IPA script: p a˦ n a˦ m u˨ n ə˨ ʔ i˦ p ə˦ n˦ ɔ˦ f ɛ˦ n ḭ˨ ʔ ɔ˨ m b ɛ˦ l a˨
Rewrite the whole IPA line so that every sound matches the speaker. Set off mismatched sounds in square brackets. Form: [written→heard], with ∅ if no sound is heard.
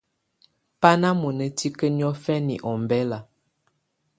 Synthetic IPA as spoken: p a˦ n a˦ m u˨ n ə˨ [ʔ→t] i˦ [p→k] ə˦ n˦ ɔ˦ f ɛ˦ n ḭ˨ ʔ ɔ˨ m b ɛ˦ l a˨